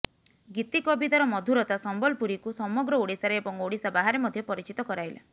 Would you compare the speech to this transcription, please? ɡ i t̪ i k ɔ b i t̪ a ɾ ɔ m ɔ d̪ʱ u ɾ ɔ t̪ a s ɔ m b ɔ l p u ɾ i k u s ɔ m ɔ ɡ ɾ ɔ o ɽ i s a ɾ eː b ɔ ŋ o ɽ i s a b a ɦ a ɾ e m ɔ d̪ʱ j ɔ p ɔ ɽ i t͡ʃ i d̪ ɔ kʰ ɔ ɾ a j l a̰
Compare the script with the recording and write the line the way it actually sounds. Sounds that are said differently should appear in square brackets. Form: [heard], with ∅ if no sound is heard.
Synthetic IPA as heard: ɡ i t̪ i k ɔ b i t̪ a ɾ ɔ m ɔ d̪ʱ u ɾ ɔ t̪ a s ɔ m b ɔ l p u ɾ i k u s ɔ m ɔ ɡ ɾ ɔ o ɽ i s a ɾ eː b ɔ ŋ o ɽ i s a b a ɦ a ɾ e m ɔ d̪ʱ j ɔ p ɔ [ɾ] i t͡ʃ i [t̪] ɔ [k] ɔ ɾ a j l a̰